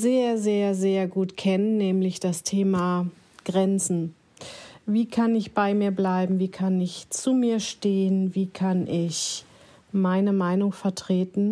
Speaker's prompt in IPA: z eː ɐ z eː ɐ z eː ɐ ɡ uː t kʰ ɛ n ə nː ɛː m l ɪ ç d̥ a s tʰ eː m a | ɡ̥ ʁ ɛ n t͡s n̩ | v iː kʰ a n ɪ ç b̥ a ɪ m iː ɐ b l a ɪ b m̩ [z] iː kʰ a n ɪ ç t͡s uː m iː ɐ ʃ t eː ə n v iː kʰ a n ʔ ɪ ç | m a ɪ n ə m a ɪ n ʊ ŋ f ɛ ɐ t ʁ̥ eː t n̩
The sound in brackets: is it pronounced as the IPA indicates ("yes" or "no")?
no